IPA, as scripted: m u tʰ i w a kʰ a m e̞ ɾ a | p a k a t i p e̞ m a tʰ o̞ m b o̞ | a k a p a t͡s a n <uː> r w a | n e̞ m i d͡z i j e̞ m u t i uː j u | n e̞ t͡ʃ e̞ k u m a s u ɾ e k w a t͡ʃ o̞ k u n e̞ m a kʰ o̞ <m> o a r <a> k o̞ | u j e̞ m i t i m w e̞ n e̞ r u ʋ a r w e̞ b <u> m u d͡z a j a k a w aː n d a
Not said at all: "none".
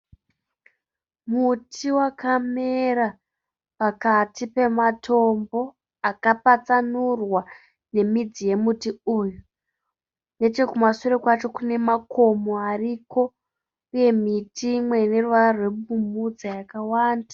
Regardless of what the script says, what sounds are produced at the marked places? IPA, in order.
u, m, i, u

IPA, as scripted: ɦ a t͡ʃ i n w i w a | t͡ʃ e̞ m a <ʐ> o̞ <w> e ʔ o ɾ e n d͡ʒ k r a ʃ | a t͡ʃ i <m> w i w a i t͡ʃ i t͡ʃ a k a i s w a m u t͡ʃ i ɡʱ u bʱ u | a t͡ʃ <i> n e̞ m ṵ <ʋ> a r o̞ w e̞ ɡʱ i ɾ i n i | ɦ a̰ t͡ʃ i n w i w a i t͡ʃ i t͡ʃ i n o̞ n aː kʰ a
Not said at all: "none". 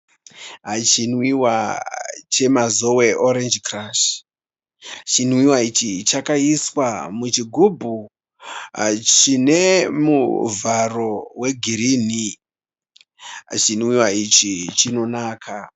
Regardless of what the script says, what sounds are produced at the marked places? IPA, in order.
z, w, n, i, v

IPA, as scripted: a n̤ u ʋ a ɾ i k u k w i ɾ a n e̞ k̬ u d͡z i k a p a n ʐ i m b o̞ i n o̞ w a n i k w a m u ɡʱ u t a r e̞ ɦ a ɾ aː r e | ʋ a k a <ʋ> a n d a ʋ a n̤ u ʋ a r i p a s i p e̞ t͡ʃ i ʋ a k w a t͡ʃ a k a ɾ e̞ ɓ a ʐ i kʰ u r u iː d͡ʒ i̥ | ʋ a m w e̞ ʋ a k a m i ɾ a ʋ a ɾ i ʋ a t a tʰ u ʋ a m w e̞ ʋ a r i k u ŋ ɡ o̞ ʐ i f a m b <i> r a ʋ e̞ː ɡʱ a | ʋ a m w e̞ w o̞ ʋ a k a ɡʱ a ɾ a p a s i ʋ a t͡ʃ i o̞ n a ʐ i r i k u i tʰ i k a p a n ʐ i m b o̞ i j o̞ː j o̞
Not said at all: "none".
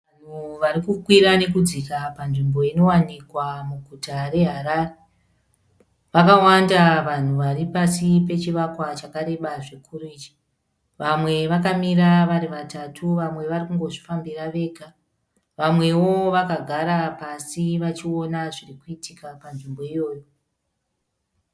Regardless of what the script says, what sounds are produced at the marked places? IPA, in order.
w, i

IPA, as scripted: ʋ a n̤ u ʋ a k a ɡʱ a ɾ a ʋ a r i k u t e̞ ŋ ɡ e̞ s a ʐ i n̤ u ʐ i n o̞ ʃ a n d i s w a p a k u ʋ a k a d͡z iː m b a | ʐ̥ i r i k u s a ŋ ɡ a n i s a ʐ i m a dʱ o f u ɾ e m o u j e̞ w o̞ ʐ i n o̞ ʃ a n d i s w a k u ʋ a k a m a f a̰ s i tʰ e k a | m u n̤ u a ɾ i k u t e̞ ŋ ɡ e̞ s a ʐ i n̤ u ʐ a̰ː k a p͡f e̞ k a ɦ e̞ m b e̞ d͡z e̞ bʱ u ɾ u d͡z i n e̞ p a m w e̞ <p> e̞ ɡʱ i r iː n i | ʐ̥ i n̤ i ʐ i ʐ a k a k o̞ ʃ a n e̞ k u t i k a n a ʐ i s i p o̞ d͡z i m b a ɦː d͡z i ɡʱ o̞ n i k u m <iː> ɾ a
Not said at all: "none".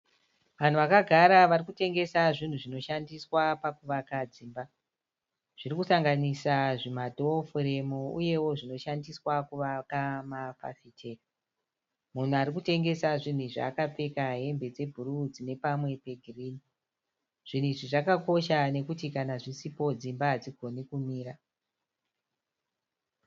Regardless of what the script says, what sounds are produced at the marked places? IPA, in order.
p, iː

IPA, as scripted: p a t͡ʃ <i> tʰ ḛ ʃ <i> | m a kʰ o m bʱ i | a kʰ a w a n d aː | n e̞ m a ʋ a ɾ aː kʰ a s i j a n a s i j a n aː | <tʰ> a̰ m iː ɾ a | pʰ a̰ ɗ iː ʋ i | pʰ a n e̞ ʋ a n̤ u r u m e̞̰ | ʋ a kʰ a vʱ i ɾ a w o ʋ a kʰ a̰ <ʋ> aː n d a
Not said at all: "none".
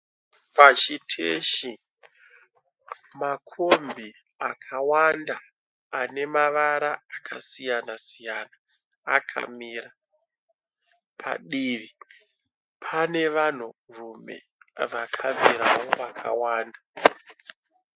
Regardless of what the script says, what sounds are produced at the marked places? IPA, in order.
i, i, kʰ, w

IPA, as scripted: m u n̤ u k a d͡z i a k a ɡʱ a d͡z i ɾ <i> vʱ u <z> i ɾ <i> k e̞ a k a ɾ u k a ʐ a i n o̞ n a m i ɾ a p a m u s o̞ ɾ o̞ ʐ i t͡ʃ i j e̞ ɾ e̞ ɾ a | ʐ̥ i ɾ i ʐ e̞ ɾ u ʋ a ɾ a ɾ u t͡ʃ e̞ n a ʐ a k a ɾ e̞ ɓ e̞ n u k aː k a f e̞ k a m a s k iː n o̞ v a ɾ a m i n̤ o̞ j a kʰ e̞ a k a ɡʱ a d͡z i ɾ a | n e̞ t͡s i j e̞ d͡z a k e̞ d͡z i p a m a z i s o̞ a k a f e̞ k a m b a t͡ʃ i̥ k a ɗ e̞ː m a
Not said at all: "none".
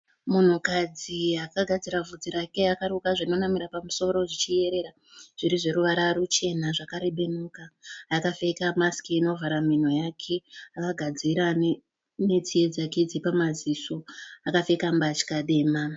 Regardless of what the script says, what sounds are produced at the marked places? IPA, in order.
a, d͡z, a

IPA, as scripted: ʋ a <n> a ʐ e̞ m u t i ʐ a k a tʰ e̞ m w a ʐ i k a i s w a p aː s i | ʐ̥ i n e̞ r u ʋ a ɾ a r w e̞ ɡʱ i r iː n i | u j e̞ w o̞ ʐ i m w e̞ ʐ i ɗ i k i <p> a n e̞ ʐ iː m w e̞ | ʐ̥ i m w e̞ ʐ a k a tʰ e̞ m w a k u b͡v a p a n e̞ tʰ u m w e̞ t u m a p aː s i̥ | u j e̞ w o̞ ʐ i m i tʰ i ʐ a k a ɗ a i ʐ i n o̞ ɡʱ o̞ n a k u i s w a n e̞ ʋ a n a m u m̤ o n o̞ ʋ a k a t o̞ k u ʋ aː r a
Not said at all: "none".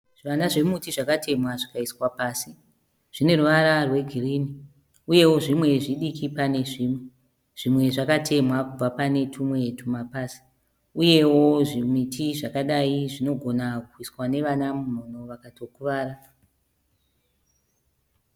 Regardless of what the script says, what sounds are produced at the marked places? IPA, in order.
n, p

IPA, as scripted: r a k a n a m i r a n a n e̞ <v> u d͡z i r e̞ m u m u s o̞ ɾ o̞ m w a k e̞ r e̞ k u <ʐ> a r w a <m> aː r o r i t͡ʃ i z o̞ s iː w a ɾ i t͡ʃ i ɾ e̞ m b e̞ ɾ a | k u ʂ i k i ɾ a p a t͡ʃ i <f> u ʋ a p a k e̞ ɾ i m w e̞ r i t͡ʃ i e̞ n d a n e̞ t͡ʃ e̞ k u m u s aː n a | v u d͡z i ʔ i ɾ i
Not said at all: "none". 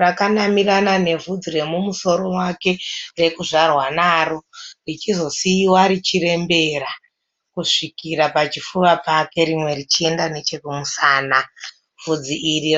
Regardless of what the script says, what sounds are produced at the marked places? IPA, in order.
v, ʐ, n, f

